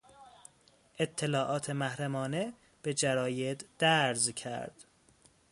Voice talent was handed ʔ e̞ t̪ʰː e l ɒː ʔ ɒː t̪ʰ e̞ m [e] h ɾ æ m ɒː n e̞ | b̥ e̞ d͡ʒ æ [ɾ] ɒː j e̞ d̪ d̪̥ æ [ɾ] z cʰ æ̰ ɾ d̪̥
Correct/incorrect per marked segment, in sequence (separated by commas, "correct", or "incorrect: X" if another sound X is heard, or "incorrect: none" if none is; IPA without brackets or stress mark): incorrect: æ, correct, correct